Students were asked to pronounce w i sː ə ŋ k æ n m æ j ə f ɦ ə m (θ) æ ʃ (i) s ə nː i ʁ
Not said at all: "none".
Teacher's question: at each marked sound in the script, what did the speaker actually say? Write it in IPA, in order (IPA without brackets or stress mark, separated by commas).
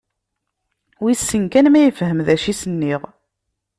ð, i